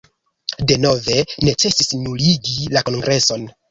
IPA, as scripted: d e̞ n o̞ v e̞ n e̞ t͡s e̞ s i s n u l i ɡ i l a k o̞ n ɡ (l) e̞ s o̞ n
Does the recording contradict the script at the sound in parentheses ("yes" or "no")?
yes